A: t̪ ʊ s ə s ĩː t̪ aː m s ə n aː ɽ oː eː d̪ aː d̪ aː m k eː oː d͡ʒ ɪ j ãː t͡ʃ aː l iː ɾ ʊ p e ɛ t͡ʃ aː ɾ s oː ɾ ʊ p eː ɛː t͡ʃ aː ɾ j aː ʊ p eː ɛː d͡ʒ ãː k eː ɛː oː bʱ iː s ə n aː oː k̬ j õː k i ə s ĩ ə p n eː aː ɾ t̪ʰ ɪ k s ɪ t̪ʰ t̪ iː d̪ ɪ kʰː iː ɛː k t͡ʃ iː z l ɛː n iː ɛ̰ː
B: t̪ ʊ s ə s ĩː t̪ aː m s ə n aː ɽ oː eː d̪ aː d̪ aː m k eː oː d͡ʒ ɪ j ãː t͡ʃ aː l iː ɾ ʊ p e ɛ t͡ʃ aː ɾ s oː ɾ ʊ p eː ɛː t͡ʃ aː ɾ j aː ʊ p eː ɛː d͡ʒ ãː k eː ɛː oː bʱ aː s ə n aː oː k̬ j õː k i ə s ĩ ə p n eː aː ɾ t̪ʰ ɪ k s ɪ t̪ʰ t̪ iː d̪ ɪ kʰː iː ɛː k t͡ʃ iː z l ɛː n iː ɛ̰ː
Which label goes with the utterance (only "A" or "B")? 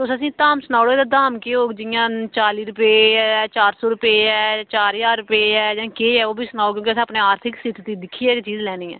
A